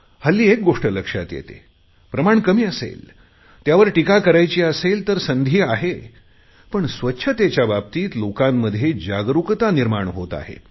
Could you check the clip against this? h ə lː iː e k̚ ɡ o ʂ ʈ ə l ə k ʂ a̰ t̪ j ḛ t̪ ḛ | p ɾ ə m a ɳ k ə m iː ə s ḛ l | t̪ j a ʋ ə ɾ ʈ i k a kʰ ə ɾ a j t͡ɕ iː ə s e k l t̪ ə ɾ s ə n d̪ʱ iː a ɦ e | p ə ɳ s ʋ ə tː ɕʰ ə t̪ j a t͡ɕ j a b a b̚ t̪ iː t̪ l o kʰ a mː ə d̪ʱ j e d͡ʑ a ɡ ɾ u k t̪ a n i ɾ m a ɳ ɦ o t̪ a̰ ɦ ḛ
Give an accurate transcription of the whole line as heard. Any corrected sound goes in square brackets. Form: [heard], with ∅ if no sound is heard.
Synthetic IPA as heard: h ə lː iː e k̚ ɡ o ʂ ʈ ə l ə k ʂ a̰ t̪ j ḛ t̪ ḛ | p ɾ ə m a ɳ k ə m iː ə s ḛ l | t̪ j a ʋ ə ɾ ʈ i k a [k] ə ɾ a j t͡ɕ iː ə s e [∅] l t̪ ə ɾ s ə n d̪ʱ iː a ɦ e | p ə ɳ s ʋ ə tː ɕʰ ə t̪ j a t͡ɕ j a b a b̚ t̪ iː t̪ l o [k] a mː ə d̪ʱ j e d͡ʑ a ɡ ɾ u k t̪ a n i ɾ m a ɳ ɦ o t̪ a̰ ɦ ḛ